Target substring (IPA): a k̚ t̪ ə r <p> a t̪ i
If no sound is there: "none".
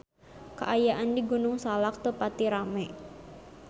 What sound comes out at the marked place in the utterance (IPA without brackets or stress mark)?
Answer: p